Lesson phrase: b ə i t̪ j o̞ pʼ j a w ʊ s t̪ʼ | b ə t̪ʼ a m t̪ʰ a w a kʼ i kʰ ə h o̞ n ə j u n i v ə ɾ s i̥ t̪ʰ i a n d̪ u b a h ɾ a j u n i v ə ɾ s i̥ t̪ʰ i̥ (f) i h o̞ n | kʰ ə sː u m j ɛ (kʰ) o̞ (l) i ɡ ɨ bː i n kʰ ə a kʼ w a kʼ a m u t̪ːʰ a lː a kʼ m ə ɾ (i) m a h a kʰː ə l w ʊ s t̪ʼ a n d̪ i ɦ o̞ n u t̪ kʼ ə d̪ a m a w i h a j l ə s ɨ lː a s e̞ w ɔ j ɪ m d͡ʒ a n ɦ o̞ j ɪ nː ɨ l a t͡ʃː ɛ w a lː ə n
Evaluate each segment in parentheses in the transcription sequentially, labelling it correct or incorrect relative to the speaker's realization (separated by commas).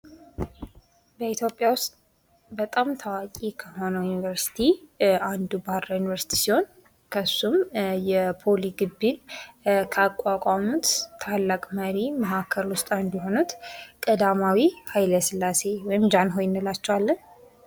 incorrect, incorrect, correct, correct